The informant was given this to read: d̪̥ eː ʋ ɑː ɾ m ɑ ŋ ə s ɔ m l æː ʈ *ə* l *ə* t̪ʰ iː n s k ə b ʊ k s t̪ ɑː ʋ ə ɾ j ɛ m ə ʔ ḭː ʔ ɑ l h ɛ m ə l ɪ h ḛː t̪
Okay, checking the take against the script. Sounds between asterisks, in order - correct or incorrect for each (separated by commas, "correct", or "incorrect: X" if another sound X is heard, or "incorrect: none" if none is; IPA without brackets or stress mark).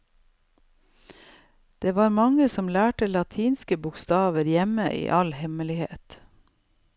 correct, incorrect: ɑ